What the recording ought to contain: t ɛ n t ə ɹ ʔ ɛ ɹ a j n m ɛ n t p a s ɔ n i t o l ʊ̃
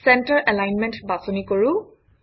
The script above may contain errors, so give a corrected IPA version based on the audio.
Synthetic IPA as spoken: s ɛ n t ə ɹ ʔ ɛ l a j n m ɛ n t b a s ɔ n i k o ɹ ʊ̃

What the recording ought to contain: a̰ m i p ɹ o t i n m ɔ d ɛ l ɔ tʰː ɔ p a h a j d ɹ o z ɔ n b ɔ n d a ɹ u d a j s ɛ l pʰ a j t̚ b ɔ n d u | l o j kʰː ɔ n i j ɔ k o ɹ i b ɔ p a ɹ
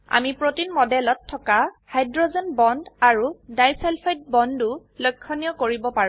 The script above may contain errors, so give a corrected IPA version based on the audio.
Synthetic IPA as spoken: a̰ m i p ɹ o t i n m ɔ d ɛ l ɔ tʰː ɔ k a h a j d ɹ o z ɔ n b ɔ n d a ɹ u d a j s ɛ l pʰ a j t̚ b ɔ n d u | l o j kʰː ɔ n i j ɔ k o ɹ i b ɔ p a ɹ

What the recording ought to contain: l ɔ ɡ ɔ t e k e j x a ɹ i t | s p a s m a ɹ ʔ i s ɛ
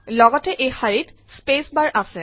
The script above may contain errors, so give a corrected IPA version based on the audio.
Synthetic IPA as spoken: l ɔ ɡ ɔ t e ʔ e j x a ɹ i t | s p e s b a ɹ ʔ a s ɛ

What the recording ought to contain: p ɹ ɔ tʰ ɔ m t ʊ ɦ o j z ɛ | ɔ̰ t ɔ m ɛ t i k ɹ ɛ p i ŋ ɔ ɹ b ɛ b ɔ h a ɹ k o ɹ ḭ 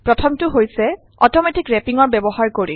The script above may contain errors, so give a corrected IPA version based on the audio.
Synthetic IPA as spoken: p ɹ ɔ tʰ ɔ m t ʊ ɦ o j s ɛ | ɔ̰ t ɔ m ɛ t i k ɹ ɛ p i ŋ ɔ ɹ b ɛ b ɔ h a ɹ k o ɹ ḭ

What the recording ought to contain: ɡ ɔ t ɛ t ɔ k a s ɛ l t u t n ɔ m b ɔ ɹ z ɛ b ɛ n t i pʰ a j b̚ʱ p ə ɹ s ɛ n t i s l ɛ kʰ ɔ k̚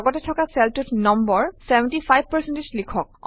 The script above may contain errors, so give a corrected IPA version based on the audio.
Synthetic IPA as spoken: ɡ ɔ t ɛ tʰ ɔ k a s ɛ l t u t n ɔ m b ɔ ɹ s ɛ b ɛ n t i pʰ a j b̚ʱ p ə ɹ s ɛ n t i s l i kʰ ɔ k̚

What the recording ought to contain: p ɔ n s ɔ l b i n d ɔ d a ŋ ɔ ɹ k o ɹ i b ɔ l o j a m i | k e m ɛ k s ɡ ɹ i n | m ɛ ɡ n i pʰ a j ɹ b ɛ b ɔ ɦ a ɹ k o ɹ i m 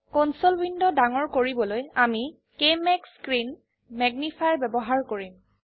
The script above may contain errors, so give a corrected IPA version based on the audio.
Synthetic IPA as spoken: k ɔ n s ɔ l b i n d ɔ d a ŋ ɔ ɹ k o ɹ i b ɔ l o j a m i | k e m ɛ k s k ɹ i n | m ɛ ɡ n i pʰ a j ɹ b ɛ b ɔ ɦ a ɹ k o ɹ i m

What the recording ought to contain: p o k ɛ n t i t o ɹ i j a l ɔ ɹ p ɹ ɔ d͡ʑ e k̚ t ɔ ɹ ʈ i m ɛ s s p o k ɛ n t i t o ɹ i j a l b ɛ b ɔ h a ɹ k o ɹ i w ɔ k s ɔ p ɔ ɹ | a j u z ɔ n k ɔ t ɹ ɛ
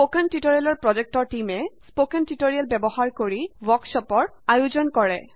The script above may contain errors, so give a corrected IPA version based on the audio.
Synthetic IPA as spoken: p o k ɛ n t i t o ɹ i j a l ɔ ɹ p ɹ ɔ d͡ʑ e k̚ t ɔ ɹ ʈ i m ɛ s s p o k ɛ n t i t o ɹ i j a l b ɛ b ɔ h a ɹ k o ɹ i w ɔ k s ɔ p ɔ ɹ | a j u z ɔ n k ɔ ɹ ɛ

